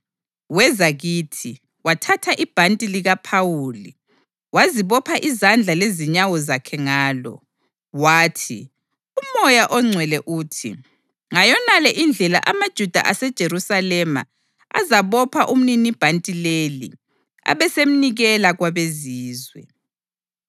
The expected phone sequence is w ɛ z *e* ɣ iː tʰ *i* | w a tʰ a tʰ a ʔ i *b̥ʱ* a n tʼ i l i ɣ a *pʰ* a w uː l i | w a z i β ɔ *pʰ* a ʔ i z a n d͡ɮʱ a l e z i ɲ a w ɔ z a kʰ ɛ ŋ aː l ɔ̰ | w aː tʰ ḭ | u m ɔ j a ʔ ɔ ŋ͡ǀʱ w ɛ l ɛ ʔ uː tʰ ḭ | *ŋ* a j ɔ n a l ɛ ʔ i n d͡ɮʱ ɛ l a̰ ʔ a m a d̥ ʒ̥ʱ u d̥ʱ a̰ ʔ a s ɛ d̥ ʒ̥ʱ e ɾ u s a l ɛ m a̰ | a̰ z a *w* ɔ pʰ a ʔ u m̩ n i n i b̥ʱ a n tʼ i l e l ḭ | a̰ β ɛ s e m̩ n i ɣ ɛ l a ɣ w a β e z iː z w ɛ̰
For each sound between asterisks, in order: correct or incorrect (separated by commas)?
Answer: incorrect, correct, correct, correct, correct, correct, incorrect